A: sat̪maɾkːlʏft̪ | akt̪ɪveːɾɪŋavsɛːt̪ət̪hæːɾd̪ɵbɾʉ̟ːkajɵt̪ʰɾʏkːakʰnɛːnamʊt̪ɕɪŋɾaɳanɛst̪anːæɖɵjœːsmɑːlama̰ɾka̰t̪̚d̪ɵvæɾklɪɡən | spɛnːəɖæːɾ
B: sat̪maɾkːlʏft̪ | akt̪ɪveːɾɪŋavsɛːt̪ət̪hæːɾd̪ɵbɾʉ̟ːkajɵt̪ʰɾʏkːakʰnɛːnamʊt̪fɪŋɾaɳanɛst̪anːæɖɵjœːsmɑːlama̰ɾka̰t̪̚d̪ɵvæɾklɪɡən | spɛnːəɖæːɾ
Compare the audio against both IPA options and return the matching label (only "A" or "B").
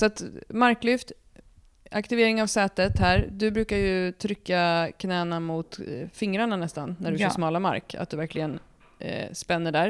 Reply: B